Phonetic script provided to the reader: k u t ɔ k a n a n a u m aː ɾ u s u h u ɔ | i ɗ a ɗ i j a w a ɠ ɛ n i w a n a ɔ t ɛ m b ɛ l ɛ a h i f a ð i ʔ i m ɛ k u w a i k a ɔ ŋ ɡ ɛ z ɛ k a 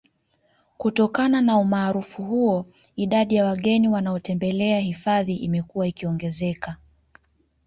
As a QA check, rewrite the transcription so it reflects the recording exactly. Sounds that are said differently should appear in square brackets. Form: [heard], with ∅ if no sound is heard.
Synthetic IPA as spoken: k u t ɔ k a n a n a u m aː ɾ u [f] u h u ɔ | i ɗ a ɗ i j a w a ɠ ɛ n i w a n a ɔ t ɛ m b ɛ l ɛ a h i f a ð i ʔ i m ɛ k u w a i k [i] ɔ ŋ ɡ ɛ z ɛ k a